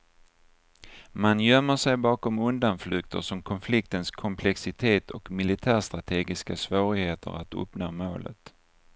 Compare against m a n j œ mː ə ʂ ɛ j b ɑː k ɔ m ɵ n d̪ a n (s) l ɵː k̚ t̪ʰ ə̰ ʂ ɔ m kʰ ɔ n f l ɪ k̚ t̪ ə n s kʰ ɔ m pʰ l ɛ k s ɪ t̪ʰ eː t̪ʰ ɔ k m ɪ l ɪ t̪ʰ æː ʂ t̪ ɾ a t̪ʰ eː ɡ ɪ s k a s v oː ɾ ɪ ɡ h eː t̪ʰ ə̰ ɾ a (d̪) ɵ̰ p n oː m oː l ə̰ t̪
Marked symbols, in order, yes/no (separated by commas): no, no